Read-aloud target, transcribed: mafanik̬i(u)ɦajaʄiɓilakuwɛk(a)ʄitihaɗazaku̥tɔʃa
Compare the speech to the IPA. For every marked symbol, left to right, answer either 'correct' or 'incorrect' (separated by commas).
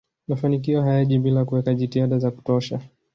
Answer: incorrect, correct